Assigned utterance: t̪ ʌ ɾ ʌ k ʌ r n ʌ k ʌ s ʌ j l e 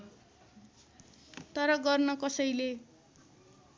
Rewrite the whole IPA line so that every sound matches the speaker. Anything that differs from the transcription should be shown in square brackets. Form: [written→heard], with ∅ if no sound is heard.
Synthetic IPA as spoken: t̪ ʌ ɾ ʌ [k→ɡ] ʌ r n ʌ k ʌ s ʌ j l e